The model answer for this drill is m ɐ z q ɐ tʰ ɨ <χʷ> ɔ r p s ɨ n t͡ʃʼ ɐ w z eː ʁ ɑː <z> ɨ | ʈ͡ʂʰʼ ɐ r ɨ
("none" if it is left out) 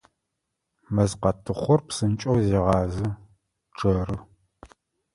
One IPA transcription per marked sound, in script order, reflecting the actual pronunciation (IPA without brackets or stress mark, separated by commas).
χʷ, z